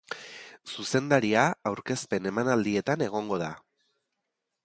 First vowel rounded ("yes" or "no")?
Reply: yes